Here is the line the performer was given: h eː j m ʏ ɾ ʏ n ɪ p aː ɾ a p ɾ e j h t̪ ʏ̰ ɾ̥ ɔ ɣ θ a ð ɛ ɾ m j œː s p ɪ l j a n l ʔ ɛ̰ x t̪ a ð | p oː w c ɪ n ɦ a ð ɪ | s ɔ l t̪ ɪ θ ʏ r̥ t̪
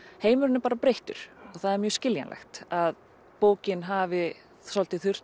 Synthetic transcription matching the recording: h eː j m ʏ ɾ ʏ n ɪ p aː ɾ a p ɾ e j h t̪ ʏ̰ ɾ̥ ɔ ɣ θ a ð ɛ ɾ m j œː s c ɪ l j a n l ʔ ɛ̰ x t̪ a ð | p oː w c ɪ n ɦ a v ɪ | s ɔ l t̪ ɪ θ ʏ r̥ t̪